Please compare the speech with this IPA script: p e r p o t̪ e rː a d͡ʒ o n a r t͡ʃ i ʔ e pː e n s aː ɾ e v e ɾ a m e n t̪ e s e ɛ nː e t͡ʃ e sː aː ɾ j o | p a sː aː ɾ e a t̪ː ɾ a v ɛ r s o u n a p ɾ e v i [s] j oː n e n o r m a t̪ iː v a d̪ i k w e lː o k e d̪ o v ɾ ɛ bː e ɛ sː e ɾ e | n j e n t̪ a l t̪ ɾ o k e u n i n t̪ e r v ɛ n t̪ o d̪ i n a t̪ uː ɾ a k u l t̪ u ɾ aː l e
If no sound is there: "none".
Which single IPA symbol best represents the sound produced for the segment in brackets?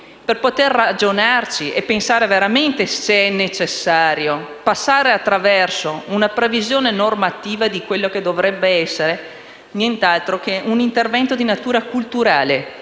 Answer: z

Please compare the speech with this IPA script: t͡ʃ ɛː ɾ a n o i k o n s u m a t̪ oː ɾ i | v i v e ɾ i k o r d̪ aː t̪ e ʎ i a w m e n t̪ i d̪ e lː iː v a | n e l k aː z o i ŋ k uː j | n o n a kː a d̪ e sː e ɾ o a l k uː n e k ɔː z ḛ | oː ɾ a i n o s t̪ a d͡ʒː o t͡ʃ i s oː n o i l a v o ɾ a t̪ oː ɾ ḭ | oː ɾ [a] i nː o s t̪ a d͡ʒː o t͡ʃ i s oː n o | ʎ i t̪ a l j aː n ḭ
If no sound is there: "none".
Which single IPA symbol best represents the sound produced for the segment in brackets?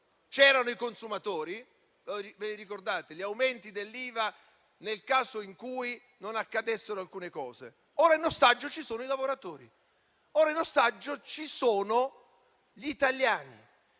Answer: a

